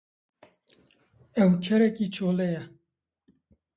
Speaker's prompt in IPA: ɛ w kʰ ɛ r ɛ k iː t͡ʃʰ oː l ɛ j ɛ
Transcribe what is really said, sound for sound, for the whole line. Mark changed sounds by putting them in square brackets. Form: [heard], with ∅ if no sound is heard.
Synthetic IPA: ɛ w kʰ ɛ [ɾ] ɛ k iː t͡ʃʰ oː l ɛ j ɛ